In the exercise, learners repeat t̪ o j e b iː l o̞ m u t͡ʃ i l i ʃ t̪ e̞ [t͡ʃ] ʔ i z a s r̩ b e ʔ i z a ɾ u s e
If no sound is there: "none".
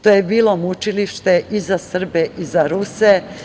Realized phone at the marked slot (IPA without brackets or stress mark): none